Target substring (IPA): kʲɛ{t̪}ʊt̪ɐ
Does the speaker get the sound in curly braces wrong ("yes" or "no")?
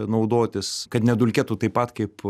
no